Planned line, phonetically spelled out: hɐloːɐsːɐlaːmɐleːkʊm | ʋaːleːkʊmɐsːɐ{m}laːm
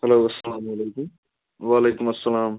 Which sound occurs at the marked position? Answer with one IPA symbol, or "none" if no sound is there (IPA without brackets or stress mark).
none